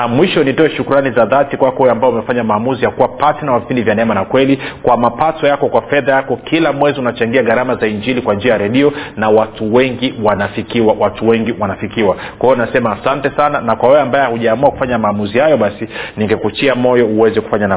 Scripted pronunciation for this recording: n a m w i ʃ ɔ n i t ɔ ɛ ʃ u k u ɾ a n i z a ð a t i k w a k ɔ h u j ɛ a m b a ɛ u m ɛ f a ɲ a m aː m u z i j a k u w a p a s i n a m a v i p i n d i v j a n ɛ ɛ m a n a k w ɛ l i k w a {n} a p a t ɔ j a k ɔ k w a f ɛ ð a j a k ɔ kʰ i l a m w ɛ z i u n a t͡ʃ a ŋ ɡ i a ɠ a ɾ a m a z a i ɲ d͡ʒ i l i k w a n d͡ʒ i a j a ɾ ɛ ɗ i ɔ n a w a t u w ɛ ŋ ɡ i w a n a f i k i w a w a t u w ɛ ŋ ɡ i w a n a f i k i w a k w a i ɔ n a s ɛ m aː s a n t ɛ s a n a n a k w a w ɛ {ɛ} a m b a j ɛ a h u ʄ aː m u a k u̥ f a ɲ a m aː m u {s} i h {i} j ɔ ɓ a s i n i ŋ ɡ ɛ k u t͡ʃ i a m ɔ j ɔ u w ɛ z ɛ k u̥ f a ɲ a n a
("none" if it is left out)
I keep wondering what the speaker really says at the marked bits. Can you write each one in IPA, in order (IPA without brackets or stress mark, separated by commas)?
m, ɛ, z, a